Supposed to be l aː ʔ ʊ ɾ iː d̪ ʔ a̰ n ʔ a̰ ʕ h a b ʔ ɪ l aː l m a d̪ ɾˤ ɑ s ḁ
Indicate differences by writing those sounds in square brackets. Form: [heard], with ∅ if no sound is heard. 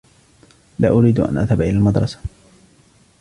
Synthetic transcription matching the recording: l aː ʔ ʊ ɾ iː d̪ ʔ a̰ n ʔ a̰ [ð] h a b ʔ ɪ l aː l m a d̪ ɾˤ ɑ s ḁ